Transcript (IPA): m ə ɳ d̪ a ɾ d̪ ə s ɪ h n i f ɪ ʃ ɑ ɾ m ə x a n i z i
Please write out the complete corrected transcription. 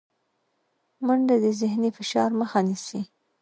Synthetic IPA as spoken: m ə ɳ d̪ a d̪ ə z ɪ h n i f ɪ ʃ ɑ ɾ m ə x a n i s i